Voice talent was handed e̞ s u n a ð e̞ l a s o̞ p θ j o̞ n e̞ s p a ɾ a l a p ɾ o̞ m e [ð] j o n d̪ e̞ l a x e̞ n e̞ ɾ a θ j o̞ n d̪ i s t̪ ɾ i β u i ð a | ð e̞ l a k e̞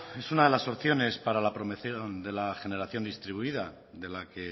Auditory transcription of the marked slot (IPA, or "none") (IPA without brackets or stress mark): θ